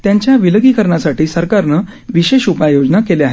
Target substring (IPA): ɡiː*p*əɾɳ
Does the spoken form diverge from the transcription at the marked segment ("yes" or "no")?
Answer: yes